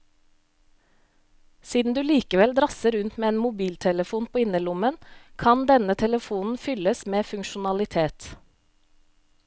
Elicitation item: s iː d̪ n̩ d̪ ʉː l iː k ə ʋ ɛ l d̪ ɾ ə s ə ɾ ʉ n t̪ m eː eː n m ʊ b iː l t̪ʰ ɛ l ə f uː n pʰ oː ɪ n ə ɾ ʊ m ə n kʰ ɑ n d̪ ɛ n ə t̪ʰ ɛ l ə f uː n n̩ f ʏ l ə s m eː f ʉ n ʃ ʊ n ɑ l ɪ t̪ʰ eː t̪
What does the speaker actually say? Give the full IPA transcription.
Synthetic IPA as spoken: s iː d̪ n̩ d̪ ʉː l iː k ə ʋ ɛ l d̪ ɾ ɑ s ə ɾ ʉ n t̪ m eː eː n m ʊ b iː l t̪ʰ ɛ l ə f uː n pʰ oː ɪ n ə l ʊ m ə n kʰ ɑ n d̪ ɛ n ə t̪ʰ ɛ l ə f uː n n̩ f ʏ l ə s m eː f ʉ ŋ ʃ ʊ n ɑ l ɪ t̪ʰ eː t̪